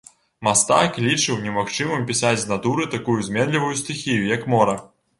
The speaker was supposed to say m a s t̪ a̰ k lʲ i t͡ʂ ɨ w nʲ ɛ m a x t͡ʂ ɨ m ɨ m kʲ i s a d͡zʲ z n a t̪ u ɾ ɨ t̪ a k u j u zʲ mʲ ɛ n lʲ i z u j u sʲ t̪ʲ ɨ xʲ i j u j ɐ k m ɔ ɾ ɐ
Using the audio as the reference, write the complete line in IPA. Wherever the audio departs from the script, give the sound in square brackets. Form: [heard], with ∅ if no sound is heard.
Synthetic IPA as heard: m a s t̪ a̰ k lʲ i t͡ʂ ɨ w nʲ ɛ m a x t͡ʂ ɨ m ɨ m [pʲ] i s a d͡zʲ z n a t̪ u ɾ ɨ t̪ a k u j u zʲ mʲ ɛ n lʲ i [v] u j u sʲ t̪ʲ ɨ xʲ i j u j ɐ k m ɔ ɾ ɐ